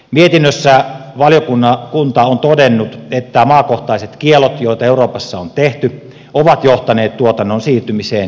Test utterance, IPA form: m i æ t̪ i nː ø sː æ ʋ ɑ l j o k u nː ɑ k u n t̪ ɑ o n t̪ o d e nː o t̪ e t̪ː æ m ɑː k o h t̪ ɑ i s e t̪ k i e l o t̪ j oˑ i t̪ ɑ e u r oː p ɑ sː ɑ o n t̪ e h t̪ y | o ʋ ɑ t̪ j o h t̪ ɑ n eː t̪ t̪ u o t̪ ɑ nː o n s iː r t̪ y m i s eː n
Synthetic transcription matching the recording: m i e t̪ i nː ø sː æ ʋ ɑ l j o k u nː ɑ k u n t̪ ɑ o n t̪ o d e nː u t̪ e t̪ː æ m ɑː k o h t̪ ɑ i s e t̪ k i e l o t̪ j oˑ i t̪ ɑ e u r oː p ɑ sː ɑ o n t̪ e h t̪ y | o ʋ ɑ t̪ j o h t̪ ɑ n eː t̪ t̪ u o t̪ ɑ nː o n s iː r t̪ y m i s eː n